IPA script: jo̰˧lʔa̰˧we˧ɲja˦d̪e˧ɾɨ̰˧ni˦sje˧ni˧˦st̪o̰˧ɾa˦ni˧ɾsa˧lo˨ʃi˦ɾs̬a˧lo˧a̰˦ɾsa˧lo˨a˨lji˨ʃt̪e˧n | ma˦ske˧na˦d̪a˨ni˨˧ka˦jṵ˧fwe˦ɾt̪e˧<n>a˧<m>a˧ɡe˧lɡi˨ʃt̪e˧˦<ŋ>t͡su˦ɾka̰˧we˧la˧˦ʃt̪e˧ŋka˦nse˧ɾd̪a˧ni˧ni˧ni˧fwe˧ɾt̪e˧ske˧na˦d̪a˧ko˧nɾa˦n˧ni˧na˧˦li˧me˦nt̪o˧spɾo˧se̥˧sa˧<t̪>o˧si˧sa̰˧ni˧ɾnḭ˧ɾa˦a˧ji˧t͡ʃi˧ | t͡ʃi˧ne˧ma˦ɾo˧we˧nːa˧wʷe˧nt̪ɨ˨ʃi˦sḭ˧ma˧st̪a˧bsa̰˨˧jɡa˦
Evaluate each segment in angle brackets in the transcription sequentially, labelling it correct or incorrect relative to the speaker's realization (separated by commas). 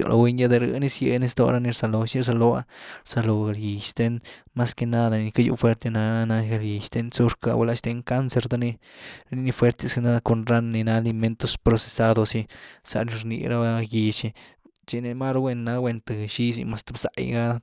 correct, incorrect, incorrect, incorrect